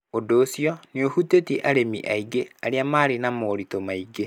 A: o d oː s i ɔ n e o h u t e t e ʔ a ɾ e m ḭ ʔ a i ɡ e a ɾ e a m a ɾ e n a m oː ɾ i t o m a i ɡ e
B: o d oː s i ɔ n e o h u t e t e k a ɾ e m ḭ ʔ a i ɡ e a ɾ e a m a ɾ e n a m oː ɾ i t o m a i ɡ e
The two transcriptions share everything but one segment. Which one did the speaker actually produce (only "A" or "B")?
A